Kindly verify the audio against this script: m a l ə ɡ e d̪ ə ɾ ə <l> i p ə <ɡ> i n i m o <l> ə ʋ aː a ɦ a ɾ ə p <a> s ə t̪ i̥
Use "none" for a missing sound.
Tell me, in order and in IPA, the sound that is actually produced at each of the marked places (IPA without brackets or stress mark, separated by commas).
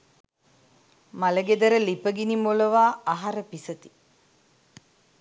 l, ɡ, l, i